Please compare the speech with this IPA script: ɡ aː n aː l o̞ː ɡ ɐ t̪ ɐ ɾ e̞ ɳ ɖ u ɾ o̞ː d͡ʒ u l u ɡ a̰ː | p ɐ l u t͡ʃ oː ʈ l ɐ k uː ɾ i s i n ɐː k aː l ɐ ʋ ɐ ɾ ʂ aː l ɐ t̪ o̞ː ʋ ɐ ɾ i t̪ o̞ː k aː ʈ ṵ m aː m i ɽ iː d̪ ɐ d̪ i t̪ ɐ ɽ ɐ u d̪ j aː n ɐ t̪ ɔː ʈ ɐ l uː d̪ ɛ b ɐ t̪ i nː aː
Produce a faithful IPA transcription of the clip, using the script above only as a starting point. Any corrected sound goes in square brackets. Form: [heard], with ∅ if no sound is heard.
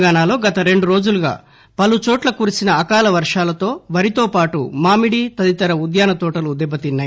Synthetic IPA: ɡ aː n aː l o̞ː ɡ ɐ t̪ ɐ ɾ e̞ ɳ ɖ u ɾ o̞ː d͡ʒ u l u ɡ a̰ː | p ɐ l u t͡ʃ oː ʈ l ɐ k uː ɾ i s i n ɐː k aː l ɐ ʋ ɐ ɾ ʂ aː l ɐ t̪ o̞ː ʋ ɐ ɾ i t̪ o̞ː [p] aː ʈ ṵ m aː m i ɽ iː [t̪] ɐ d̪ i t̪ ɐ [ɾ] ɐ u d̪ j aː n ɐ t̪ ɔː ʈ ɐ l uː d̪ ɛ b ɐ t̪ i nː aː

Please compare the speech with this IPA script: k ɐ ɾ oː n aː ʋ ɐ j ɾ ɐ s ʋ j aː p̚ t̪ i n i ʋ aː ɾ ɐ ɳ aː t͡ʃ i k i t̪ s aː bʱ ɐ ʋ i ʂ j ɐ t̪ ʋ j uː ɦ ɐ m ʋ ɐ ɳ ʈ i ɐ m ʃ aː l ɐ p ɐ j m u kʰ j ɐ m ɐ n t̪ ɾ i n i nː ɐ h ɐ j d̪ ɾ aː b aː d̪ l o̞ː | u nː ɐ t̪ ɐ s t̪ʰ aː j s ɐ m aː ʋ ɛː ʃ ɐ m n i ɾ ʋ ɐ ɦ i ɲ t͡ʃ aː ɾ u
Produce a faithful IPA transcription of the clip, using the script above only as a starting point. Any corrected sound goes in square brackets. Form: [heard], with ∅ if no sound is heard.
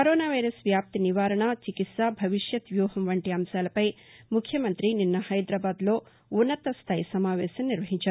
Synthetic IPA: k ɐ ɾ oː n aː ʋ ɐ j ɾ ɐ s ʋ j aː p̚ t̪ i n i ʋ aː ɾ ɐ ɳ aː t͡ʃ i k i t̪ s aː bʱ ɐ ʋ i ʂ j ɐ t̪ ʋ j uː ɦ ɐ m ʋ ɐ ɳ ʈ i ɐ m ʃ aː l ɐ p ɐ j m u kʰ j ɐ m ɐ n t̪ ɾ i n i nː ɐ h ɐ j d̪ ɾ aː b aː d̪ l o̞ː | u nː ɐ t̪ ɐ s t̪ʰ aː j s ɐ m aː ʋ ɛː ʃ ɐ m n i ɾ ʋ ɐ ɦ i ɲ t͡ʃ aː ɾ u

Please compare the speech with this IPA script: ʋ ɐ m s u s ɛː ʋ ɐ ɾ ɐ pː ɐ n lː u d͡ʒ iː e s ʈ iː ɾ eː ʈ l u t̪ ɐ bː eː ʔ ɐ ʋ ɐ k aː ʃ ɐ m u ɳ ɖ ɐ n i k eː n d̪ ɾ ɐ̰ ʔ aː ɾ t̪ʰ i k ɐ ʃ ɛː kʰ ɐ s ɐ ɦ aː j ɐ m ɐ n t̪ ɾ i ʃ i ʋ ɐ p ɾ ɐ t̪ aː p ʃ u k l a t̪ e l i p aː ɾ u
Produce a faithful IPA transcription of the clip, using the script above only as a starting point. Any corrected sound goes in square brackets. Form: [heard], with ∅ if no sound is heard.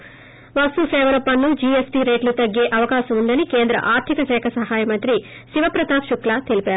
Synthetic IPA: ʋ ɐ [∅] s u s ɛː ʋ ɐ ɾ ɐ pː ɐ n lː u d͡ʒ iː e s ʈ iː ɾ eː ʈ l u t̪ ɐ [ɡː] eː ʔ ɐ ʋ ɐ k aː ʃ ɐ m u ɳ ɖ ɐ n i k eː n d̪ ɾ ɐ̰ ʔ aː ɾ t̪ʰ i k ɐ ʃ ɛː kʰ ɐ s ɐ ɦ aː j ɐ m ɐ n t̪ ɾ i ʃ i ʋ ɐ p ɾ ɐ t̪ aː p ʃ u k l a t̪ e l i p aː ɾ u

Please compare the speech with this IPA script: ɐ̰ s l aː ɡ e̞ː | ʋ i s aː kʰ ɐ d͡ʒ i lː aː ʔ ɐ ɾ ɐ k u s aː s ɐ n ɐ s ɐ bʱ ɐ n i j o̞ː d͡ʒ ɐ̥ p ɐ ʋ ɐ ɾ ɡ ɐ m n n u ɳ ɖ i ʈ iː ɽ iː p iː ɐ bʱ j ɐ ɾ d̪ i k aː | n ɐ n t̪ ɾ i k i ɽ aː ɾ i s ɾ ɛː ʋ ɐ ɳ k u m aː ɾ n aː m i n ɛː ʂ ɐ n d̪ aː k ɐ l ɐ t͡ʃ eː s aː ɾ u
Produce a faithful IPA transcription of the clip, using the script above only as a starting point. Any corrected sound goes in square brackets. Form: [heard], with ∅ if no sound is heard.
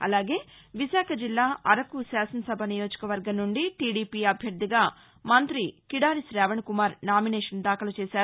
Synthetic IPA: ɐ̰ [∅] l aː ɡ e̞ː | ʋ i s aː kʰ ɐ d͡ʒ i lː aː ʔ ɐ ɾ ɐ k u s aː s ɐ n ɐ s ɐ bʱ ɐ n i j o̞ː d͡ʒ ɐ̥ [k] ɐ ʋ ɐ ɾ ɡ ɐ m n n u ɳ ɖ i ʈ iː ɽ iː p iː ɐ bʱ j ɐ ɾ d̪ i [ɡ] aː | [m] ɐ n t̪ ɾ i k i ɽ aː ɾ i s ɾ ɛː ʋ ɐ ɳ k u m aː ɾ n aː m i n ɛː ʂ ɐ n d̪ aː k ɐ l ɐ t͡ʃ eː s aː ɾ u

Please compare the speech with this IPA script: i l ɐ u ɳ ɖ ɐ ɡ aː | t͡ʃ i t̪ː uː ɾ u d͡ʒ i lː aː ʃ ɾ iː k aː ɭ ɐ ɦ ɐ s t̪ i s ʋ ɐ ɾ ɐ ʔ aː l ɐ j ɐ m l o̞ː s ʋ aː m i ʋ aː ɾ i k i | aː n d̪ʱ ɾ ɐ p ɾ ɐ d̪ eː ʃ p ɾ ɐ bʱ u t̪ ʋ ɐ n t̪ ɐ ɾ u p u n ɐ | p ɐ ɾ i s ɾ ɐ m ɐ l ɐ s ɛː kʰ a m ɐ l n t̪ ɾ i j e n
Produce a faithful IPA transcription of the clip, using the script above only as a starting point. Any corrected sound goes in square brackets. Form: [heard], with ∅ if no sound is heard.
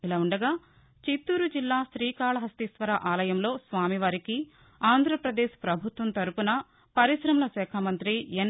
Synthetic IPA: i l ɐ u ɳ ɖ ɐ ɡ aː | t͡ʃ i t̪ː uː ɾ u d͡ʒ i lː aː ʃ ɾ iː k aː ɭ ɐ ɦ ɐ s t̪ i s ʋ ɐ ɾ ɐ ʔ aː l ɐ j ɐ m l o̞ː s ʋ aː m i ʋ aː ɾ i k i | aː n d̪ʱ ɾ ɐ p ɾ ɐ d̪ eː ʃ p ɾ ɐ bʱ u t̪ ʋ ɐ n t̪ ɐ ɾ u p u n ɐ | p ɐ ɾ i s ɾ ɐ m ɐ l ɐ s ɛː kʰ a m ɐ [∅] n t̪ ɾ i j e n

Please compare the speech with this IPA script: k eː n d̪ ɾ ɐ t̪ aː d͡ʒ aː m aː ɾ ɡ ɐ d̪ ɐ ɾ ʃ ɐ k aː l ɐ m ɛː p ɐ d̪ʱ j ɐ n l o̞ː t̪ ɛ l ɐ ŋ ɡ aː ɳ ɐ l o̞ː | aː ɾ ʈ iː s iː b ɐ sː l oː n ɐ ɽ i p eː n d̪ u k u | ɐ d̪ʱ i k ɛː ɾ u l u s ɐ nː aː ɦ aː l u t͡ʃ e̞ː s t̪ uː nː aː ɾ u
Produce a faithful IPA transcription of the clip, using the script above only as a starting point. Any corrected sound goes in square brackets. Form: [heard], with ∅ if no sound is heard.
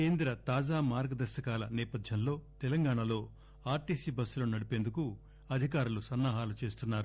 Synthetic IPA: k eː n d̪ ɾ ɐ t̪ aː d͡ʒ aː m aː ɾ ɡ ɐ d̪ ɐ ɾ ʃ ɐ k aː l ɐ [n] ɛː p ɐ d̪ʱ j ɐ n l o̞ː t̪ ɛ l ɐ ŋ ɡ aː ɳ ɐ l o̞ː | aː ɾ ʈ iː s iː b ɐ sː l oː n ɐ ɽ i p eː n d̪ u k u | ɐ d̪ʱ i k [aː] ɾ u l u s ɐ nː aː ɦ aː l u t͡ʃ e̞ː s t̪ [u] nː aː ɾ u

